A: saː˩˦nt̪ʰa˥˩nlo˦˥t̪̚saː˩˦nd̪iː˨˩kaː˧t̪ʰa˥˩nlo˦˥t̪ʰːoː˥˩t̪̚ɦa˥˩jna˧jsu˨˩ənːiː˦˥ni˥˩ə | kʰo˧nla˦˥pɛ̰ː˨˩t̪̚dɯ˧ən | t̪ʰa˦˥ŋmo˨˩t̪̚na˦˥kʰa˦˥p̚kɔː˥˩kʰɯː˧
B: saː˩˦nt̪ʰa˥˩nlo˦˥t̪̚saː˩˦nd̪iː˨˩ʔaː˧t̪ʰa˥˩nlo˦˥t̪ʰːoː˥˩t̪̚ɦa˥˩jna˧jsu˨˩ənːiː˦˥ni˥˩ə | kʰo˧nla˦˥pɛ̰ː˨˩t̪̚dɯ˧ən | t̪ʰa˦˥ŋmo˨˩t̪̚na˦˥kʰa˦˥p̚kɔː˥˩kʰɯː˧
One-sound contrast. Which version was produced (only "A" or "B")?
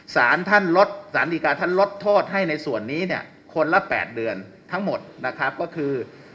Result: A